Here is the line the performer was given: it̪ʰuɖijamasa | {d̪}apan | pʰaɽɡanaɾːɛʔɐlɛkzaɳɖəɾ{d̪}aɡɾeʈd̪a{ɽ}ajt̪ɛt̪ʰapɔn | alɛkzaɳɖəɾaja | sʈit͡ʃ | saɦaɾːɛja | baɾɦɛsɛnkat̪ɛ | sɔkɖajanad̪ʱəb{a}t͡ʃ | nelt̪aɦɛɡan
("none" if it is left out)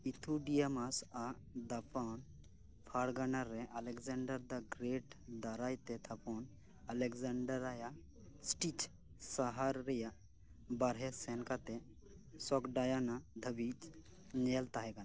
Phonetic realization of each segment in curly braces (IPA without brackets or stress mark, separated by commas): d̪, d̪, ɾ, i